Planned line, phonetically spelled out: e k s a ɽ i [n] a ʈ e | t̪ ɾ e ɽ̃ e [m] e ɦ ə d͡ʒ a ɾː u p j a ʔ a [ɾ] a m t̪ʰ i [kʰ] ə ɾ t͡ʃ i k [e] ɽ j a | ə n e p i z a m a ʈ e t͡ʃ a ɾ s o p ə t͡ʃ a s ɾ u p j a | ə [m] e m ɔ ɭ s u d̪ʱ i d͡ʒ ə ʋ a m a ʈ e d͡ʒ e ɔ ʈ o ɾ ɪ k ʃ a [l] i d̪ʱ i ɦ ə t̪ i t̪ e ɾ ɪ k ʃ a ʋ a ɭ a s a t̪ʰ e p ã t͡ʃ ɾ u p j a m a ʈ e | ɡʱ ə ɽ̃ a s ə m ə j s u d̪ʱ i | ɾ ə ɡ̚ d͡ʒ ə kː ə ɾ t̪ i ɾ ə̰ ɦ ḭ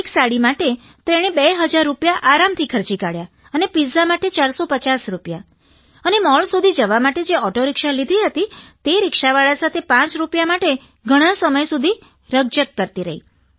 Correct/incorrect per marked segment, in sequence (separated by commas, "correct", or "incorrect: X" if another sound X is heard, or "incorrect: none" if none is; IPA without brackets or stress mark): incorrect: m, incorrect: b, correct, correct, incorrect: a, incorrect: n, correct